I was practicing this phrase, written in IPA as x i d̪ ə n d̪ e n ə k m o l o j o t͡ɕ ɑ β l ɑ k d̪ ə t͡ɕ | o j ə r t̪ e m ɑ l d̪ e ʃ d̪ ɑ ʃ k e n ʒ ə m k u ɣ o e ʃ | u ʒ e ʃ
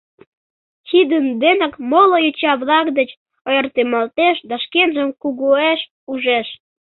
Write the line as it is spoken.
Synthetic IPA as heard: x i d̪ ə n d̪ e n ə k m o l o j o t͡ɕ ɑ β l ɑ k d̪ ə t͡ɕ | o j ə r t̪ e m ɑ l t̪ e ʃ d̪ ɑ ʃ k e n ʒ ə m k u ɣ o e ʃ | u ʒ e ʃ